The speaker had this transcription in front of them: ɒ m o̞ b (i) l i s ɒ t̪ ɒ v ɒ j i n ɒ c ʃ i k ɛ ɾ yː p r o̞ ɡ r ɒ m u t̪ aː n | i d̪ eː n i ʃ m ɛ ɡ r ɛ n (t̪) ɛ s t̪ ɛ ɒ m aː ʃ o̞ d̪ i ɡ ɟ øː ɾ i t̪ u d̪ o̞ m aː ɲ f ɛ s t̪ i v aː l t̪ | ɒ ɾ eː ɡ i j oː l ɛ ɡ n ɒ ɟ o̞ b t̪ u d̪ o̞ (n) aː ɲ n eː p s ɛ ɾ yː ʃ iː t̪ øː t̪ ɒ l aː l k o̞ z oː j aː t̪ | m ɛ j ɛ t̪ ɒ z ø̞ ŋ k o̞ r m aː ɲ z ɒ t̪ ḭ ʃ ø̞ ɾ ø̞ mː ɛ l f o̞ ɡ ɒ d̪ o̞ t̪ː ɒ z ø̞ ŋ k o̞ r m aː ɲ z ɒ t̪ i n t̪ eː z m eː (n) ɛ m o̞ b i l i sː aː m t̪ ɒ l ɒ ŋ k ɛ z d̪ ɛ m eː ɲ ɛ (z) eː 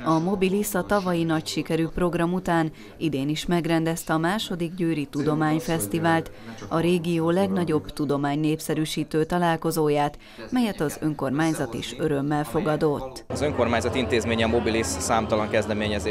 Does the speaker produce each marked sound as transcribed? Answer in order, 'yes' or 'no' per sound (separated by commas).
yes, no, no, no, yes